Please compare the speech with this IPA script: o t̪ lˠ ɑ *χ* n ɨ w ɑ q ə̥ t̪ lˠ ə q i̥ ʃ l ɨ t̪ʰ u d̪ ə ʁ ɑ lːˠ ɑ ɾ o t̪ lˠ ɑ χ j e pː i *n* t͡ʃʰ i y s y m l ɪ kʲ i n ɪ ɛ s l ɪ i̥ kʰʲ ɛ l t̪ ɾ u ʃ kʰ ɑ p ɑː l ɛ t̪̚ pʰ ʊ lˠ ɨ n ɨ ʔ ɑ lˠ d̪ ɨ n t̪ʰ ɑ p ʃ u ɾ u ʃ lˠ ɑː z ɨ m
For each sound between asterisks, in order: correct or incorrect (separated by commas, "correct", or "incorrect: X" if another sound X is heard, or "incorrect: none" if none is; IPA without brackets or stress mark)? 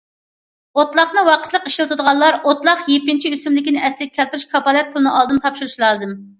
correct, correct